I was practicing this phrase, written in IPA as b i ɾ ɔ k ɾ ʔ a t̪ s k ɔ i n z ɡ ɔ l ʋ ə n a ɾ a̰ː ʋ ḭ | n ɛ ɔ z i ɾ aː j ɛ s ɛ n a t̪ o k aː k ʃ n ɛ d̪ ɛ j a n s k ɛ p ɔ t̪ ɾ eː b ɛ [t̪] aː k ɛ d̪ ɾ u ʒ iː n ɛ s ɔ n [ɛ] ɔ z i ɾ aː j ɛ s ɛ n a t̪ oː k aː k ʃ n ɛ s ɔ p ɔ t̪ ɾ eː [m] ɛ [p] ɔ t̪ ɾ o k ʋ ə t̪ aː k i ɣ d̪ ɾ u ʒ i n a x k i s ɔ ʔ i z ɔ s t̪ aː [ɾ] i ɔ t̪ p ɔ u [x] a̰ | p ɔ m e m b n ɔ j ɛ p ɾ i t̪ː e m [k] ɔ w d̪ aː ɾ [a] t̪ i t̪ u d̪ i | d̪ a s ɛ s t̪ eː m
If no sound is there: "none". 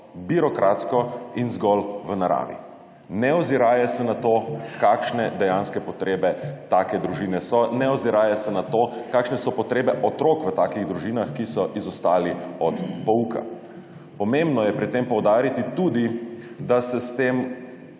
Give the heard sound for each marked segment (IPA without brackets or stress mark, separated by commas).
t̪, ɛ, b, ʔ, l, k, p, i